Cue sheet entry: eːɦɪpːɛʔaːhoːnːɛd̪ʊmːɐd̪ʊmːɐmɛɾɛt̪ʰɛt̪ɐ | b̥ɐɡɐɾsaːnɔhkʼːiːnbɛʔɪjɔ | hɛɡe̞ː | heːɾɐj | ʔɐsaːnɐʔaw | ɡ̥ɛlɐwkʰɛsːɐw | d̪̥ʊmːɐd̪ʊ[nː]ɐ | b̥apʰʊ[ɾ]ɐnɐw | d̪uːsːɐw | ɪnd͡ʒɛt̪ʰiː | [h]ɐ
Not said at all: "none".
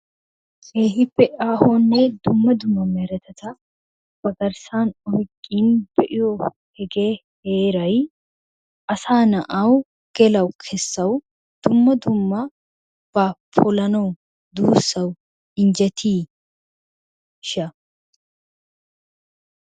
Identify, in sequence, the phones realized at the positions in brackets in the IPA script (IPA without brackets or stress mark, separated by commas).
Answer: mː, l, ʃ